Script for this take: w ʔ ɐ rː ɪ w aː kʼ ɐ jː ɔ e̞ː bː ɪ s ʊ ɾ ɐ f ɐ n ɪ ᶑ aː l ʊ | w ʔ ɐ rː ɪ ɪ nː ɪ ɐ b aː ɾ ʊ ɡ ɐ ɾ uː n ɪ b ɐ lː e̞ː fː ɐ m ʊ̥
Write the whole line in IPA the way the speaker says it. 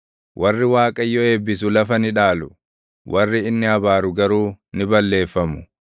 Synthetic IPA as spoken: w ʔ ɐ rː ɪ w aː kʼ ɐ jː ɔ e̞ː bː ɪ s ʊ l ɐ f ɐ n ɪ ᶑ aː l ʊ | w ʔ ɐ rː ɪ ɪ nː ɪ ɐ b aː ɾ ʊ ɡ ɐ ɾ uː n ɪ b ɐ lː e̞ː fː ɐ m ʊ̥